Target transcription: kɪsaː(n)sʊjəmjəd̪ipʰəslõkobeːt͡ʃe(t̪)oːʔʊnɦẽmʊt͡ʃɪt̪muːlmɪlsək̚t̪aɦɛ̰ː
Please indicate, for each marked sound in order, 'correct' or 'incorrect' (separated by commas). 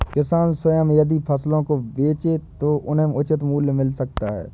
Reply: correct, correct